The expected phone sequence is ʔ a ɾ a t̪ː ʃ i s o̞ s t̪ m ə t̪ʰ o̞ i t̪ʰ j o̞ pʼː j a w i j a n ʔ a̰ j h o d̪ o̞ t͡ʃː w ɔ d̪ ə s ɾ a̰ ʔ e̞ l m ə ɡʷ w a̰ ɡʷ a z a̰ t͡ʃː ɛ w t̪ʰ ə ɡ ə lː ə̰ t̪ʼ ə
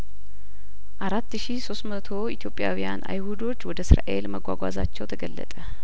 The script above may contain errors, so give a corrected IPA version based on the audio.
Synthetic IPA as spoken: ʔ a ɾ a t̪ː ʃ i s o̞ s t̪ m ə t̪ʰ o̞ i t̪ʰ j o̞ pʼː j a w i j a n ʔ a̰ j h u d̪ o̞ t͡ʃː w ɔ d̪ ə s ɾ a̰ ʔ e̞ l m ə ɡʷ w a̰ ɡʷ a z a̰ t͡ʃː ɛ w t̪ʰ ə ɡ ə lː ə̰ t̪ʼ ə